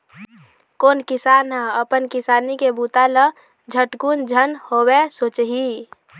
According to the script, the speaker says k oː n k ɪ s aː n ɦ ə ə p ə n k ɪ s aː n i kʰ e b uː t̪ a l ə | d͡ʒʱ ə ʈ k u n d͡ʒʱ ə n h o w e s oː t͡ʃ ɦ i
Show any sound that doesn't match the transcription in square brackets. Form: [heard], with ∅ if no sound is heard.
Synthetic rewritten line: k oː n k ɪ s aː n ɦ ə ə p ə n k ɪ s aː n i [k] e b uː t̪ a l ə | d͡ʒʱ ə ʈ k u n d͡ʒʱ ə n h o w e s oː t͡ʃ ɦ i